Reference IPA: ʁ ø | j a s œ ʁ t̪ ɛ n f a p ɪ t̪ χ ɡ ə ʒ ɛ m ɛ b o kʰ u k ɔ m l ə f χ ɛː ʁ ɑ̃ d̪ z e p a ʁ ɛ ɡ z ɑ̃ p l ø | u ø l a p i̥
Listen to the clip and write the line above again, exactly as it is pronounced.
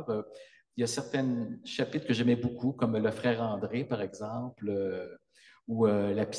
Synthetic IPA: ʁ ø | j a s ɛ ʁ t̪ ɛ n ʃ a p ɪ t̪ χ k ə ʒ ɛ m ɛ b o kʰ u k ɔ m l ə f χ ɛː ʁ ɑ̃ d̪ ʁ e p a ʁ ɛ ɡ z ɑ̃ p l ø | u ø l a p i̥